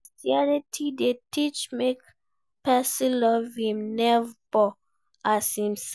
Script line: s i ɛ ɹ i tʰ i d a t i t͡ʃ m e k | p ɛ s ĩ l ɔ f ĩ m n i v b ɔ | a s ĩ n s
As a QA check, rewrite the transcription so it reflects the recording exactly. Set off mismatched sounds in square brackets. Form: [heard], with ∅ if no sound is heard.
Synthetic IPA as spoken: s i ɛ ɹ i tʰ i d [e] t i t͡ʃ m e k | p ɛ s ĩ l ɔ [v] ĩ m n [ɛ] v b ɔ | a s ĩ [m] s